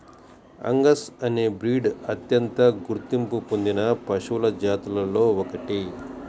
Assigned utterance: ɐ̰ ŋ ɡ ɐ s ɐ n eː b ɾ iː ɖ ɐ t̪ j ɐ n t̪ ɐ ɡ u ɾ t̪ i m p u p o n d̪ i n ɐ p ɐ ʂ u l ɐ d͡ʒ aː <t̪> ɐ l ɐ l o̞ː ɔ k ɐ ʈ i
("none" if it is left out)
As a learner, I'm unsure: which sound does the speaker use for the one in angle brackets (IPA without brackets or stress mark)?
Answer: t̪